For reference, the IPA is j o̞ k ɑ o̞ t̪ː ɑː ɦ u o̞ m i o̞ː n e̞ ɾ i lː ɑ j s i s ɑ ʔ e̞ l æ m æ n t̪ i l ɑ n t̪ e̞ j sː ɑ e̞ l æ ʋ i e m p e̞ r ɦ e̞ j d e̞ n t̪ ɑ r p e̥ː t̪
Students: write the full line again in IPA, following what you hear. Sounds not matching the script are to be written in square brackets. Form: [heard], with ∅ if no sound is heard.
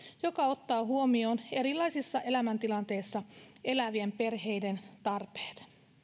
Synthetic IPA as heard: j o̞ k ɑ o̞ t̪ː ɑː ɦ u o̞ m i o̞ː n e̞ ɾ i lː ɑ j s i [sː] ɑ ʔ e̞ l æ m æ n t̪ i l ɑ n t̪ e̞ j sː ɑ e̞ l æ ʋ i e m p e̞ r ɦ e̞ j d e̞ n t̪ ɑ r p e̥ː t̪